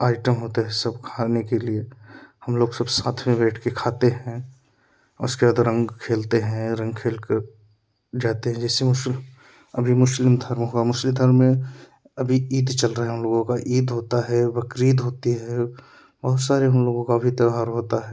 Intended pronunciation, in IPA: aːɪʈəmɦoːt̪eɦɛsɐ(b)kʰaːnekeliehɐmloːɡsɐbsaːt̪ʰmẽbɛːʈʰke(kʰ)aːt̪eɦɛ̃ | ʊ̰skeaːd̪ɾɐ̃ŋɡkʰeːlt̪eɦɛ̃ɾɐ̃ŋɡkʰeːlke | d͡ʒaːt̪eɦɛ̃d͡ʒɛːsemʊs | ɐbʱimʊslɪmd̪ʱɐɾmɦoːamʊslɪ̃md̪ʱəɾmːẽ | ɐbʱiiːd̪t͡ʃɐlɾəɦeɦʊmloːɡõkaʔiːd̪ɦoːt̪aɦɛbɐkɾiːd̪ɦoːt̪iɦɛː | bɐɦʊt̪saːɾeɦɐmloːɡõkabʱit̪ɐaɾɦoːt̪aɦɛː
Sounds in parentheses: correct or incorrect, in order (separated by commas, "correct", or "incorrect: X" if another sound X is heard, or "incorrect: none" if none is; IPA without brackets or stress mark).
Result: correct, correct